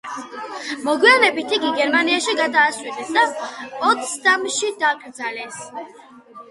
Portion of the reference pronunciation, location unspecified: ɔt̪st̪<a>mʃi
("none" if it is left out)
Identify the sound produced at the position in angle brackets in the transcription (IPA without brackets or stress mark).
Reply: a